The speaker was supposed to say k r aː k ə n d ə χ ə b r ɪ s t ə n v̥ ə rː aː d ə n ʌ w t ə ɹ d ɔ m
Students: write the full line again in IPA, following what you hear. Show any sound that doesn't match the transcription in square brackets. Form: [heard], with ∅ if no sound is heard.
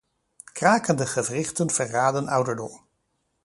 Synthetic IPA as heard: k r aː k ə n d ə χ ə [v] r ɪ [χ] t ə n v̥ ə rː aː d ə n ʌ w [d] ə ɹ d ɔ m